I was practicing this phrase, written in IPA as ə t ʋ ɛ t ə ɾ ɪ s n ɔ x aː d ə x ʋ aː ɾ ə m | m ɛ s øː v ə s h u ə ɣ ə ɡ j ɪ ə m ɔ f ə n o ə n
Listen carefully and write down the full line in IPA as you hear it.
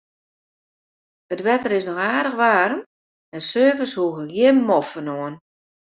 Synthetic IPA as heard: ə t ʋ ɛ t ə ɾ ɪ s n ɔ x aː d ə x ʋ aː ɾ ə m | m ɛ s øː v ə s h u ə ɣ ə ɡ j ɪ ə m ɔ f ə n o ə n